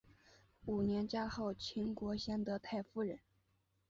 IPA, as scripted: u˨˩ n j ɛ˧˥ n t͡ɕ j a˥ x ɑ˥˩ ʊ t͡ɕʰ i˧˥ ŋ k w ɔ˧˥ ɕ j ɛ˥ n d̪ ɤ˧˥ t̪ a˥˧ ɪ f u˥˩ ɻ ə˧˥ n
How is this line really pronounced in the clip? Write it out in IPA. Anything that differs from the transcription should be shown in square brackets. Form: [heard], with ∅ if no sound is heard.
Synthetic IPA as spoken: u˨˩ n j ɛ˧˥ n t͡ɕ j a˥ x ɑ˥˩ ʊ t͡ɕʰ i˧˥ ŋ k w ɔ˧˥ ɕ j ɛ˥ n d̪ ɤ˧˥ [t̪ʰ] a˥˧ ɪ f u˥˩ ɻ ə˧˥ n